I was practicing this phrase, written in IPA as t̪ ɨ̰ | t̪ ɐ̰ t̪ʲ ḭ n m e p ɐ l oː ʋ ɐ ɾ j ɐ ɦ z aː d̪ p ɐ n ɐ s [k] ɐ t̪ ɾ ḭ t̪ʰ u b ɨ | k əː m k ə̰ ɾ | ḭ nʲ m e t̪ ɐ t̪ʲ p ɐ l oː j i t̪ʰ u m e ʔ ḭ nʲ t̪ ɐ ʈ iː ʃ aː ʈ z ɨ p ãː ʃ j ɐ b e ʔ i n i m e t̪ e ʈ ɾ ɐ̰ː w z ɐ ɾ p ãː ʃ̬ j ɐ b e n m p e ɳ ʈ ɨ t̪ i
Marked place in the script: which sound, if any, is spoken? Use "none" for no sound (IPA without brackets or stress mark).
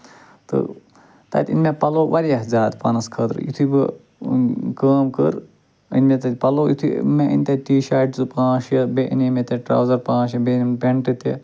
kʰ